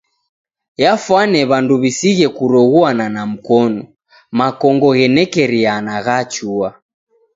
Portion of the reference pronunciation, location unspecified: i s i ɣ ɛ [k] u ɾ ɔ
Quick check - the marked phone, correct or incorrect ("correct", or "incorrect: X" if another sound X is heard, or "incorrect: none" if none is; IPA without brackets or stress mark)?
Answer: correct